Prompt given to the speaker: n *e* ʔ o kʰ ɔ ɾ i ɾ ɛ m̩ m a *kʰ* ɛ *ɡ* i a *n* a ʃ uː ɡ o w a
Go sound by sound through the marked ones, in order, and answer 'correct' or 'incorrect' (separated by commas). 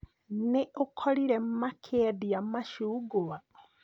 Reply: correct, correct, incorrect, incorrect